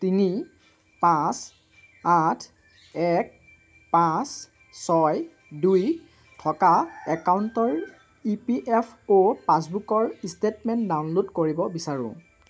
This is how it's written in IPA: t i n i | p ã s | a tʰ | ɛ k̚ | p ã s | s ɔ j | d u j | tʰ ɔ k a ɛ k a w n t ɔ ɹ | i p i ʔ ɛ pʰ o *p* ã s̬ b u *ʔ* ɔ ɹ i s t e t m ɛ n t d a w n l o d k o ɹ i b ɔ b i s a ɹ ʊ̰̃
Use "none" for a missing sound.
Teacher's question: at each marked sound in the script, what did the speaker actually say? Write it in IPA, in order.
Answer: p, k

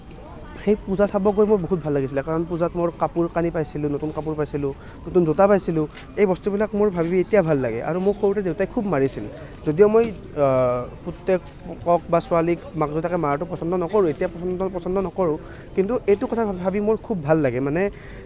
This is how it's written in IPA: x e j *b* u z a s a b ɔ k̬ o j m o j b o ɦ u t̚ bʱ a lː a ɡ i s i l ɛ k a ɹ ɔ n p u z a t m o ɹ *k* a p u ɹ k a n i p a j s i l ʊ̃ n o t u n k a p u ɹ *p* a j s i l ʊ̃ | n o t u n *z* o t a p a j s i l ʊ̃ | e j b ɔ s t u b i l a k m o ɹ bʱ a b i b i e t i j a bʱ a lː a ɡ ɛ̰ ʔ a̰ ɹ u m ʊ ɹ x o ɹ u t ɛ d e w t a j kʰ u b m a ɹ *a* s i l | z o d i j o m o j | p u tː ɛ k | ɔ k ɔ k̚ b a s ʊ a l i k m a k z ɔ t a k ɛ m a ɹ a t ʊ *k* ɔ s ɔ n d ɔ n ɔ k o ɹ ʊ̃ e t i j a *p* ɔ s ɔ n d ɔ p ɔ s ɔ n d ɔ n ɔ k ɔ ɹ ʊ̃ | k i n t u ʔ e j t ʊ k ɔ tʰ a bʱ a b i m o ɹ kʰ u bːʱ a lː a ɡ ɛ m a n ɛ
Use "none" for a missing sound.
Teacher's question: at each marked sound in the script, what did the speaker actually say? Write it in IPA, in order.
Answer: p, k, p, z, i, p, p

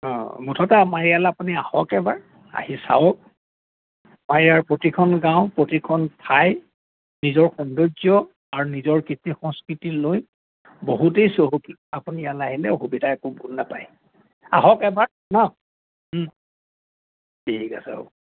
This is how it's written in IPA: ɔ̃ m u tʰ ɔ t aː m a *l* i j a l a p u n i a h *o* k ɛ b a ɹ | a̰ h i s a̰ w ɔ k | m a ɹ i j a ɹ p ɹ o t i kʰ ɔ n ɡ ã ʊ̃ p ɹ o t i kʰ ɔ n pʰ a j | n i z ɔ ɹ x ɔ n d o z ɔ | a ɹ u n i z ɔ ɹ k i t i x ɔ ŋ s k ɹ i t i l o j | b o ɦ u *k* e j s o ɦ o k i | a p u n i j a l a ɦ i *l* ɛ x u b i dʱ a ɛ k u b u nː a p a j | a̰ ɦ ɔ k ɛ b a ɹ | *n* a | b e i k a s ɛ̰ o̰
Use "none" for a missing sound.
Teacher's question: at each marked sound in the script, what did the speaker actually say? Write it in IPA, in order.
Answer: ɹ, ɔ, t, l, n

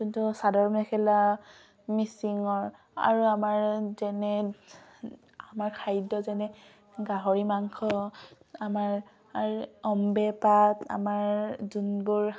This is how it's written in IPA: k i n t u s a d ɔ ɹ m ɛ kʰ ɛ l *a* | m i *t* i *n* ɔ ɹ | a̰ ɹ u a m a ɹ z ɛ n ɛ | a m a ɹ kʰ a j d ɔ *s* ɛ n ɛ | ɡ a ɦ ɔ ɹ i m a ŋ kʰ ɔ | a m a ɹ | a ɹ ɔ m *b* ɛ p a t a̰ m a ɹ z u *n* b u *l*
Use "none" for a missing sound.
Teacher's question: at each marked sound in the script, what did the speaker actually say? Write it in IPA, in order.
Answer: a, s, ŋ, z, b, n, ɹ

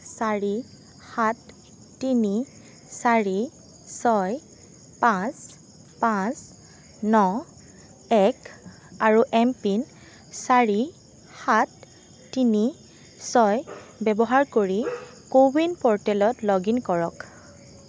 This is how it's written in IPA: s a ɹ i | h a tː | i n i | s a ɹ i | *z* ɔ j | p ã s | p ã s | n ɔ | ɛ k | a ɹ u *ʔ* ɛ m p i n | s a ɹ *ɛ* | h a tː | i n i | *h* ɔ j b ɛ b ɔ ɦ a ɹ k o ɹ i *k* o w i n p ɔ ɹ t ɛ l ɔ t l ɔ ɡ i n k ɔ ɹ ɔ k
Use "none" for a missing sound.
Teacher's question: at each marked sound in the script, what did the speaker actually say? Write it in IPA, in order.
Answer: s, ʔ, i, s, k

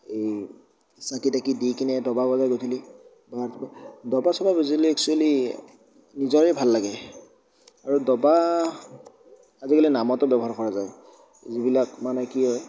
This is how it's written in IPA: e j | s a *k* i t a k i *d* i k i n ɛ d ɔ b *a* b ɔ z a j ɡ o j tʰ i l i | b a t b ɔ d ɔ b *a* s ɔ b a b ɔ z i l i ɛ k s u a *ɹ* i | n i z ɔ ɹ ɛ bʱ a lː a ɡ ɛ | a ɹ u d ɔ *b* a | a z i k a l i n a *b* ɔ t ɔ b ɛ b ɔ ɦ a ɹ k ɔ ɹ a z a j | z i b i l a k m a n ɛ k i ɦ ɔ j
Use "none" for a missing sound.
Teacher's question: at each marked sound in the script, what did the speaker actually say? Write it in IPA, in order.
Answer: k, d, a, a, l, b, m

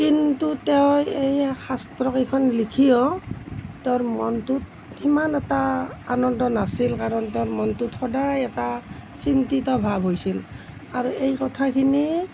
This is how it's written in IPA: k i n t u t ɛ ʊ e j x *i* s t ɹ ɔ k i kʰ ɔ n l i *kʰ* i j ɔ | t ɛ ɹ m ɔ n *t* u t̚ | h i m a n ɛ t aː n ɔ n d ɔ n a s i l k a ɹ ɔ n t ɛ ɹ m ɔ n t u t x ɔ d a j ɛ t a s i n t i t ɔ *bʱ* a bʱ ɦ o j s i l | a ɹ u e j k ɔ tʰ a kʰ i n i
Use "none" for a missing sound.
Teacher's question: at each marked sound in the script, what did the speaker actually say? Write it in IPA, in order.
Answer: a, kʰ, t, bʱ

